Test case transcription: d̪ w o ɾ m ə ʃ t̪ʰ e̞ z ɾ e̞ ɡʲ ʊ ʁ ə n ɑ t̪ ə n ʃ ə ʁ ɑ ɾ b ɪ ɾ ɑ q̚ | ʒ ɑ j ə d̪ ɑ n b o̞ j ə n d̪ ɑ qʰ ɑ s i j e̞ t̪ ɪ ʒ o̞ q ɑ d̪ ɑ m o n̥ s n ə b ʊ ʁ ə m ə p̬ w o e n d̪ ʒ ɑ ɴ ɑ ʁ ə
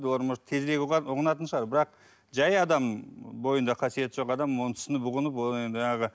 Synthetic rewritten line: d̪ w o ɾ m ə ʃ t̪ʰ e̞ z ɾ e̞ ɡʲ ʊ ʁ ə n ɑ t̪ ə n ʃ ə ʁ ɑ ɾ b ɪ ɾ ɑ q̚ | ʒ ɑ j ɑ d̪ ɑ m b o̞ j ə n d̪ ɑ qʰ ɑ s i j e̞ t̪ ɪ ʒ o̞ q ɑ d̪ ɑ m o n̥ s n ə b ʊ ʁ ə n ə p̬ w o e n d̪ ʒ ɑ ɴ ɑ ʁ ə